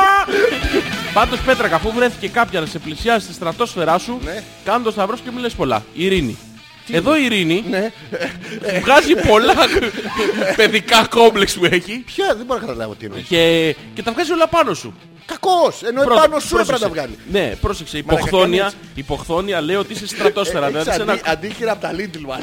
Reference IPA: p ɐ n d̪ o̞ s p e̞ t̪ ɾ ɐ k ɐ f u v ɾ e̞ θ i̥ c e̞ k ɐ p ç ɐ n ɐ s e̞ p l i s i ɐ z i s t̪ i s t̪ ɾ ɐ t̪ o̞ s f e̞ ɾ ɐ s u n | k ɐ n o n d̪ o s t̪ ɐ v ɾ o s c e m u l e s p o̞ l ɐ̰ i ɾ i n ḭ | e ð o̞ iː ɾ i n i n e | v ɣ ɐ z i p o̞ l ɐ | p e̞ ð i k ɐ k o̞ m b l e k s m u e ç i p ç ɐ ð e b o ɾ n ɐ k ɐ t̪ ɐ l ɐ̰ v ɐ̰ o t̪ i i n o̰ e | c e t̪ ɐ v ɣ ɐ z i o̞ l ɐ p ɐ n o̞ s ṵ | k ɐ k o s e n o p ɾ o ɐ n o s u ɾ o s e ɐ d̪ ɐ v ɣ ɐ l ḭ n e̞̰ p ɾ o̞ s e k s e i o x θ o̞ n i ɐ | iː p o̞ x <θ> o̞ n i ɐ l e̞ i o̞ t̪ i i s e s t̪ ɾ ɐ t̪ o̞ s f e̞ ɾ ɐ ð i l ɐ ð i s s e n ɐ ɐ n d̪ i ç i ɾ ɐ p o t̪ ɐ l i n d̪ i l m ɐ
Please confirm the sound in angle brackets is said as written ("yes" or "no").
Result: yes